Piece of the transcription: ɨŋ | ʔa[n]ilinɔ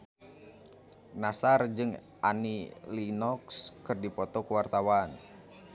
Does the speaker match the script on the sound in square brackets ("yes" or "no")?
yes